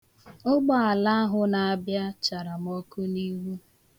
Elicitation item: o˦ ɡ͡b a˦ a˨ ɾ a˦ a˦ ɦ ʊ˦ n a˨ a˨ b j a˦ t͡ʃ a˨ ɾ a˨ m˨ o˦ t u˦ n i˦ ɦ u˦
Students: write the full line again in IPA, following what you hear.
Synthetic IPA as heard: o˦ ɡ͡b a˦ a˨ l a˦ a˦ ɦ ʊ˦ n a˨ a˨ b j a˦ t͡ʃ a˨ ɾ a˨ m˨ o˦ k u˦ n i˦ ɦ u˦